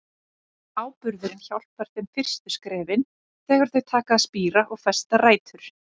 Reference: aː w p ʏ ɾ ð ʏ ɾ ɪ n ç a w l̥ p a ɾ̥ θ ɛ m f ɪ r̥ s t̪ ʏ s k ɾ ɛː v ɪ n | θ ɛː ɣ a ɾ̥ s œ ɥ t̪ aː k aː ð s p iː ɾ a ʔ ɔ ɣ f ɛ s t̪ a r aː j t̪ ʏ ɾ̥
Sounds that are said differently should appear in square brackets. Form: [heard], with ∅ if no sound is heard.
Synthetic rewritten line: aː w p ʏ ɾ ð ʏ ɾ ɪ n ç a w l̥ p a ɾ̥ θ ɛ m f ɪ r̥ s t̪ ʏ s k ɾ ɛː v ɪ n | θ ɛː ɣ a ɾ̥ [θ] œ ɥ [t̪ʰ] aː k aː ð s p iː ɾ a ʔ ɔ ɣ f ɛ s t̪ a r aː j t̪ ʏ ɾ̥